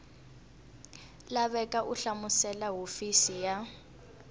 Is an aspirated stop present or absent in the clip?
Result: absent